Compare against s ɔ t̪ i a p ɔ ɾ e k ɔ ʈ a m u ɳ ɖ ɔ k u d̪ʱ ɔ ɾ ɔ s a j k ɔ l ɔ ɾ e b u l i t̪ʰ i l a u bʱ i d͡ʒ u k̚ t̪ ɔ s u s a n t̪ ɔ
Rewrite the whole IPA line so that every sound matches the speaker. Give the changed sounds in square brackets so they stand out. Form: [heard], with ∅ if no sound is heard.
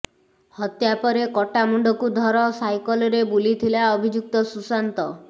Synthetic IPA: [h] ɔ t̪ [j] a p ɔ ɾ e k ɔ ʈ a m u ɳ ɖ ɔ k u d̪ʱ ɔ ɾ ɔ s a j k ɔ l ɔ ɾ e b u l i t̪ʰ i l a [ɔ] bʱ i d͡ʒ u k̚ t̪ ɔ s u s a n t̪ ɔ